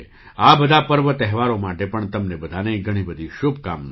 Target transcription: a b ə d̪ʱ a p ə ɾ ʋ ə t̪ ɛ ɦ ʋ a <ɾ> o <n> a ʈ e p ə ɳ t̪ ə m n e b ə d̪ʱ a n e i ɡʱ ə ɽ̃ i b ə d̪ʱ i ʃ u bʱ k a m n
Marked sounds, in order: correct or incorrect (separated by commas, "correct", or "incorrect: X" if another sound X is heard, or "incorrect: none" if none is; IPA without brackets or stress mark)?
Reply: correct, incorrect: m